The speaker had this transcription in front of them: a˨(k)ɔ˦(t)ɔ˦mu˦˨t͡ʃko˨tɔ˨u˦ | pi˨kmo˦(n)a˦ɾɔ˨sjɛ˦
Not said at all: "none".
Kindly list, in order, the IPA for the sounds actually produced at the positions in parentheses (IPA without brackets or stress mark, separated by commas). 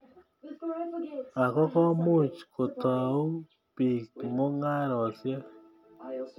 k, k, ŋ